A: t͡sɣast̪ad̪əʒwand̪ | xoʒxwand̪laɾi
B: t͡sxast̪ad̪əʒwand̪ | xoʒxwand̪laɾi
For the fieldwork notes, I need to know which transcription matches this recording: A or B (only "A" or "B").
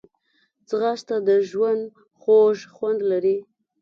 A